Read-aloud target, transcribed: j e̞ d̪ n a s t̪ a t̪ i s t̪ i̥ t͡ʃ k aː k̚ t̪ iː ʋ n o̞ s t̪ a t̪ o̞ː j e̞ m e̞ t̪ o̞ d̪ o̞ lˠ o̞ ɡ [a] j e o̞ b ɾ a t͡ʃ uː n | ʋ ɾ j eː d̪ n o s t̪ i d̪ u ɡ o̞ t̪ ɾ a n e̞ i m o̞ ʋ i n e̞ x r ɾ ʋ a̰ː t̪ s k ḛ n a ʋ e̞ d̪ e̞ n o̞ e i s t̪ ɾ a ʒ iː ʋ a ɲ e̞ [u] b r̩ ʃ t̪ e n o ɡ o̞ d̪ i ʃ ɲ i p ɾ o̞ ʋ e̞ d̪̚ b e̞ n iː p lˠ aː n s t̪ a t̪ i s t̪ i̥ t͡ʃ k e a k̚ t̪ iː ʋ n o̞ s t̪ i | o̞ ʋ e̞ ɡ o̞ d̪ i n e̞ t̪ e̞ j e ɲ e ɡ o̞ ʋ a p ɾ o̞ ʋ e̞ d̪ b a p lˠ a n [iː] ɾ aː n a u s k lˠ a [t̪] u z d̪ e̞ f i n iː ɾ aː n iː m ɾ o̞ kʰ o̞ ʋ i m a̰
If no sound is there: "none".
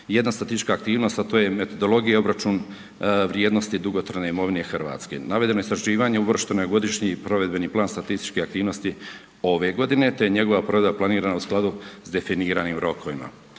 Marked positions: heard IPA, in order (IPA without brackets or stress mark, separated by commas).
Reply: i, u, iː, d̪